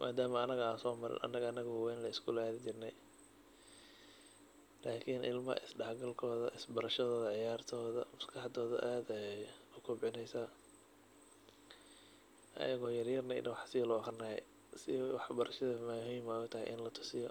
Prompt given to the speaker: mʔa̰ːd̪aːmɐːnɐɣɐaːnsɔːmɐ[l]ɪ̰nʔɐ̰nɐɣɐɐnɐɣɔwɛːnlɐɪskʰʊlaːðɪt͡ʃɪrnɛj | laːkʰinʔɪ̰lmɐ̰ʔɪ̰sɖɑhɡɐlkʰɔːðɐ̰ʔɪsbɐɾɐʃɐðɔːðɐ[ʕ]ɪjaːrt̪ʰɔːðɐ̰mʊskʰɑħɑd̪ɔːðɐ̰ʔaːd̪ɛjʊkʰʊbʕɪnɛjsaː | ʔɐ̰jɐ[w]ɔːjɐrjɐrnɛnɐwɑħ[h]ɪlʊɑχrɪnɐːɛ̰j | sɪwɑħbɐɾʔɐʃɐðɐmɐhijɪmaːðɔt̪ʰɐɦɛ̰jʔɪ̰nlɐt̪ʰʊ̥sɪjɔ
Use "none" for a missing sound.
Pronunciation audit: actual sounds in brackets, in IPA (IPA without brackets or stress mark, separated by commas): ɾ, ʕ, ɣ, s